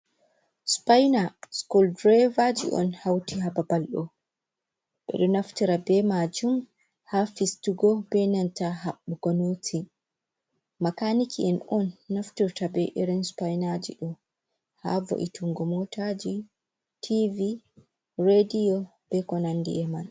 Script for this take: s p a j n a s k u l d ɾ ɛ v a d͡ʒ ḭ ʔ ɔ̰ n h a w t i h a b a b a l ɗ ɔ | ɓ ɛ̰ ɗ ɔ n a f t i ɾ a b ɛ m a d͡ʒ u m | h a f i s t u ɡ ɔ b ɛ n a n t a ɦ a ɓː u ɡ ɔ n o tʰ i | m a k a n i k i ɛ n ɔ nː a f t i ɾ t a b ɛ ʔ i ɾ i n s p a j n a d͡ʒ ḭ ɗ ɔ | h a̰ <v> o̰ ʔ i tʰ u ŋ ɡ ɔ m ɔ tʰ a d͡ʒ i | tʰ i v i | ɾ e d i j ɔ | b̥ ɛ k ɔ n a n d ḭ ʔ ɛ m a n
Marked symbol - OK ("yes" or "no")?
yes